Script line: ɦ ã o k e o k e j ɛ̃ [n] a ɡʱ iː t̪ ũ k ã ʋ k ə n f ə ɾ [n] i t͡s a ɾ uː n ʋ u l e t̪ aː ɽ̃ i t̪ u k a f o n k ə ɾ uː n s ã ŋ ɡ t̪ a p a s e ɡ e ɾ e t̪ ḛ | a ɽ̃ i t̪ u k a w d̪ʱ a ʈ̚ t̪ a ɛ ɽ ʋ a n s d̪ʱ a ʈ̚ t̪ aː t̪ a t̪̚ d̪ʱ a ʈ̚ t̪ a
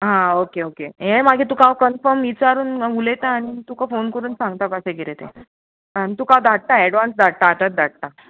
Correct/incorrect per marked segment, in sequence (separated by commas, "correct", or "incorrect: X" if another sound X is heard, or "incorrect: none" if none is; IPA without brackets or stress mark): incorrect: m, incorrect: m